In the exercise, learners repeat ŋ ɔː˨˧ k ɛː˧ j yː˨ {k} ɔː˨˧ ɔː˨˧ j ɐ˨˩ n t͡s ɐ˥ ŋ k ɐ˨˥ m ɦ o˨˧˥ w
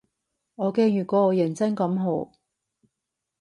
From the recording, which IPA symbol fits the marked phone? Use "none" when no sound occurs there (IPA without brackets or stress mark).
k